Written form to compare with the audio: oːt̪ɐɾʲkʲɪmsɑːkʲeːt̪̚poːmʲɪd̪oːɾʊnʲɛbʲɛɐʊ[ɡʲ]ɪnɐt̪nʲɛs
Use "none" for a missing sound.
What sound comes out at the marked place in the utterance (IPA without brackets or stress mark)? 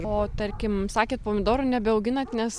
ɡʲ